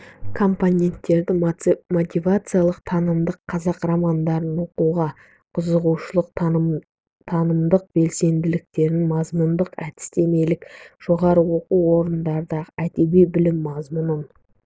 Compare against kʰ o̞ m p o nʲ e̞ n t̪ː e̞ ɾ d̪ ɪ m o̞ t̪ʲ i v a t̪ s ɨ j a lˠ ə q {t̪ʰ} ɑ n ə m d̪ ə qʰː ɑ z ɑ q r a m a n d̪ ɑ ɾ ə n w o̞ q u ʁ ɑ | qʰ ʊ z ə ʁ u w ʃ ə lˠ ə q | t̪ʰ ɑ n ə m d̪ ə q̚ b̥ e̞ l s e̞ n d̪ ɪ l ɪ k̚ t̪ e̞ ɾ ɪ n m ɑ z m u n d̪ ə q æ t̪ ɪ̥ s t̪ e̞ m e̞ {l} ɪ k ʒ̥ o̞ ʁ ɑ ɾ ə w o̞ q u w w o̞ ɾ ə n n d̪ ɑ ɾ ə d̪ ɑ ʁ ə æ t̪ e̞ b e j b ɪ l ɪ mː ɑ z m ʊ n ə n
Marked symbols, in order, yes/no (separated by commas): yes, yes